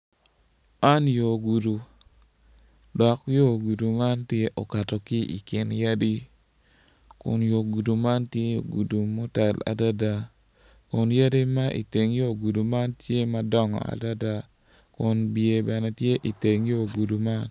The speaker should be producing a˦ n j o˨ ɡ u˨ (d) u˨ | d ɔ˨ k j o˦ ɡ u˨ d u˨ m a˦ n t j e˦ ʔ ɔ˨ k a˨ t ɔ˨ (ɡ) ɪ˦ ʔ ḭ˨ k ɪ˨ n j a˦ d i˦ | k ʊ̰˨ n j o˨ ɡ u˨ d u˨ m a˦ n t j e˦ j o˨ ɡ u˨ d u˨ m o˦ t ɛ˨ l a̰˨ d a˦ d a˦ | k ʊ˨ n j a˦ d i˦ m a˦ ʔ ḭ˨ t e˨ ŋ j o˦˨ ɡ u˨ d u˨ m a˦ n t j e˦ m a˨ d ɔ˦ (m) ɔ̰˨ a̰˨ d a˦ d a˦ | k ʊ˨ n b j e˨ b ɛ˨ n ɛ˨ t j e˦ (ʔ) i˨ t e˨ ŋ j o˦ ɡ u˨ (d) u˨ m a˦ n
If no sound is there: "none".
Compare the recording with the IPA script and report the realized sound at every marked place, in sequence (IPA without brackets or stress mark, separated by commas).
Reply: d, k, ŋ, ʔ, d